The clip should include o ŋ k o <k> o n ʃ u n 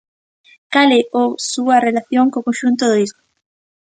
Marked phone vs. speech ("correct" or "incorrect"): correct